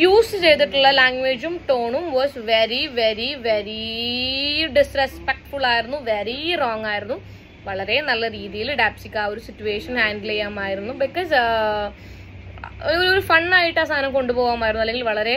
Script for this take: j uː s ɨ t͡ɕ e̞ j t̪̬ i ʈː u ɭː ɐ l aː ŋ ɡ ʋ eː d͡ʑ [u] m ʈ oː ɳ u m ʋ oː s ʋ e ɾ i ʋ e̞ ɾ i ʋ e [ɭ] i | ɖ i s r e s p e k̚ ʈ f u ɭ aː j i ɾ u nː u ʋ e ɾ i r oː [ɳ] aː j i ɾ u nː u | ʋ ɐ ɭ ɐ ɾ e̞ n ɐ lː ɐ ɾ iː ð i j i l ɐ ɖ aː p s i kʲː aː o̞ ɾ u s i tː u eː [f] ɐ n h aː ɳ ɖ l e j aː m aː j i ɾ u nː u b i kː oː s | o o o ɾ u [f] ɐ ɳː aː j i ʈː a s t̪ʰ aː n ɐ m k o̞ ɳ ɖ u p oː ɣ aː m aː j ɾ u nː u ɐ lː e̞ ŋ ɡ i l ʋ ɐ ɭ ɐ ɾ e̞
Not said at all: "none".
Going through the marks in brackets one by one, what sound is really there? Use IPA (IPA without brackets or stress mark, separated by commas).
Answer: u, ɾ, ŋ, ʂ, f